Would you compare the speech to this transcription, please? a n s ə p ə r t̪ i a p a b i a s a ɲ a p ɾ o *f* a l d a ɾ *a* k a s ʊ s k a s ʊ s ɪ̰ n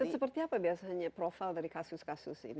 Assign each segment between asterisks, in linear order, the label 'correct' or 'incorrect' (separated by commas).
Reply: correct, incorrect